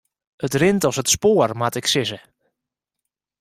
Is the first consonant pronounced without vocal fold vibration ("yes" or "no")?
yes